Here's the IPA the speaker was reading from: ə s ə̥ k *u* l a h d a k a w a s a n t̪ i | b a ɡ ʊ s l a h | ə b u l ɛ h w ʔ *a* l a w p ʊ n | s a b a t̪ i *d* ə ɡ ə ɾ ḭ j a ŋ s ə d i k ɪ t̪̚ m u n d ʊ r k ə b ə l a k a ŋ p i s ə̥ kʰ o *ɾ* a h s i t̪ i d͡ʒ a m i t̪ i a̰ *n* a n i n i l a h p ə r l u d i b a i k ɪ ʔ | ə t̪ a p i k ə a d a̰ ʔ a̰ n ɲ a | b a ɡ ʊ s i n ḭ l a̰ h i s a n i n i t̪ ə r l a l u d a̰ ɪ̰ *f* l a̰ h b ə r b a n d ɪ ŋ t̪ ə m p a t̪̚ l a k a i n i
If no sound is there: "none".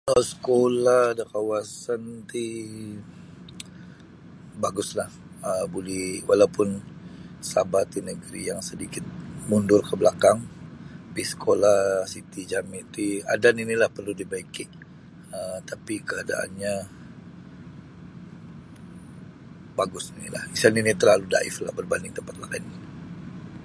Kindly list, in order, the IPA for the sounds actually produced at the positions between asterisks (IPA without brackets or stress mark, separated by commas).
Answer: o, a, n, l, d, f